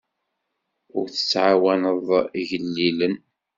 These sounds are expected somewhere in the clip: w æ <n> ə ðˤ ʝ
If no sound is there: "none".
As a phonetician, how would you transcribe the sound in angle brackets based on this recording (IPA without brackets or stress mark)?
n